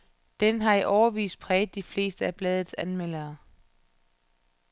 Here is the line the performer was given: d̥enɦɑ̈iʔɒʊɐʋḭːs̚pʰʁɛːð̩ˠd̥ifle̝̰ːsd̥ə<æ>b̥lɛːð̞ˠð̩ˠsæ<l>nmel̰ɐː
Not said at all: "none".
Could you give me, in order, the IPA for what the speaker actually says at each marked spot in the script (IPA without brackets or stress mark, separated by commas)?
æ, none